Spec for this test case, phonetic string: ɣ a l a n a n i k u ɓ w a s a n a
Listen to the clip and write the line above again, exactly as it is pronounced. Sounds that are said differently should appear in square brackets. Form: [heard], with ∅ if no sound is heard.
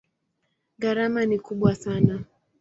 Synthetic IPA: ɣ a [ɾ] a [m] a n i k u ɓ w a s a n a